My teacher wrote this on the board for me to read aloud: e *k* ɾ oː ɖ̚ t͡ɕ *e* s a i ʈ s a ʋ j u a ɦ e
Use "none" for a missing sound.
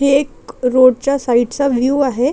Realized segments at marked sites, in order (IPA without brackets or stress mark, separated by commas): k, a